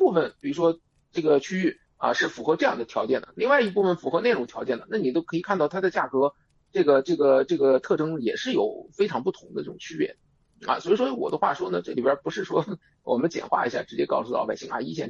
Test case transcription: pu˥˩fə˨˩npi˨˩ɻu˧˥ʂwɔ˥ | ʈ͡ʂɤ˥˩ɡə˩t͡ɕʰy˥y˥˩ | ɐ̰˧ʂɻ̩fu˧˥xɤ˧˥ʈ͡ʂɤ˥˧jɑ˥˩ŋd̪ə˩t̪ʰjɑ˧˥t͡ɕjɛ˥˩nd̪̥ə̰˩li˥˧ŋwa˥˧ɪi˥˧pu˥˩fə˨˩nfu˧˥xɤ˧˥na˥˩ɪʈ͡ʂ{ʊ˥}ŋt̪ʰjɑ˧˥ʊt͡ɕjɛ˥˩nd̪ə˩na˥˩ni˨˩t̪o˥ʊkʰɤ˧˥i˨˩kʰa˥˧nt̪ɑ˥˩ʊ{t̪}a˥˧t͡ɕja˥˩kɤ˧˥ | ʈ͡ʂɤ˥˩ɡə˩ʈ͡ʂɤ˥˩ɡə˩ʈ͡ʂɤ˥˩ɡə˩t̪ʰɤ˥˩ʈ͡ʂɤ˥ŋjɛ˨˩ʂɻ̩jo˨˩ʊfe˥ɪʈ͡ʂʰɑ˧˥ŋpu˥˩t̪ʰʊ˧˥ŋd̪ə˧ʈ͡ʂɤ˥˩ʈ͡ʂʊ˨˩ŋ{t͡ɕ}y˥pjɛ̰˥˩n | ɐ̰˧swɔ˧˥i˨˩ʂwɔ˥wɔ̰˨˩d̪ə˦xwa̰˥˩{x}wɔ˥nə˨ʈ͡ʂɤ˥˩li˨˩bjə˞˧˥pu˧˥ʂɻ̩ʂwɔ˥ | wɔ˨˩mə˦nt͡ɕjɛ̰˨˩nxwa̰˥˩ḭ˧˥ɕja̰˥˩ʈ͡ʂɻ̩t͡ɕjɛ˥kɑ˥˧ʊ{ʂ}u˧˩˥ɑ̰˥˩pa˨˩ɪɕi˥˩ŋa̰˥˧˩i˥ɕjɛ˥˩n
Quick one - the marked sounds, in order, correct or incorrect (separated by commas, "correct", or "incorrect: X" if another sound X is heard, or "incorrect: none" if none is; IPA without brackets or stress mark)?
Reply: incorrect: ʊ˨˩, incorrect: t̪ʰ, incorrect: t͡ɕʰ, incorrect: ʂ, incorrect: s